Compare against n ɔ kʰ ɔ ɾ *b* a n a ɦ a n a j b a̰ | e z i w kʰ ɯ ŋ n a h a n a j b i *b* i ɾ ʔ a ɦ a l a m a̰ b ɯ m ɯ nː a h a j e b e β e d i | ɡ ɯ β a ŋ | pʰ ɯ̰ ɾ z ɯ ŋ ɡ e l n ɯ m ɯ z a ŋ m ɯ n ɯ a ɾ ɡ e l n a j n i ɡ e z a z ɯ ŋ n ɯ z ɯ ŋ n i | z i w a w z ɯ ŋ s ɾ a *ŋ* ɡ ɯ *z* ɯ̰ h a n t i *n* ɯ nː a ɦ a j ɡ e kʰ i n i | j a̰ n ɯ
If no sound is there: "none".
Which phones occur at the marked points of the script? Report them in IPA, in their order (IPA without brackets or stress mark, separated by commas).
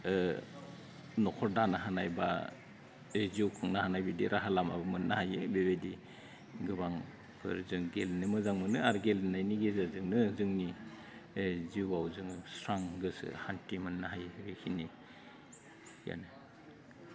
d, d, ŋ, s, m